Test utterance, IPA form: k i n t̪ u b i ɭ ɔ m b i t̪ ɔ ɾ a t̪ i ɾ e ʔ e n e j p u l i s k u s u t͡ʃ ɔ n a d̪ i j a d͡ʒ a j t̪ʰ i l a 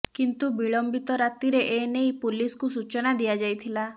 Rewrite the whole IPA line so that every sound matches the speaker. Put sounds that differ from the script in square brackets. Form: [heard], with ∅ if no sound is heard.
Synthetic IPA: k i n t̪ u b i ɭ ɔ m b i t̪ ɔ ɾ a t̪ i ɾ e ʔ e n e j p u l i s k u s u t͡ʃ ɔ n a d̪ i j a d͡ʒ a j t̪ʰ i l a